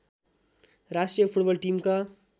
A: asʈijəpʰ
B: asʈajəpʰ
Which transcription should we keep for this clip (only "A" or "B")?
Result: A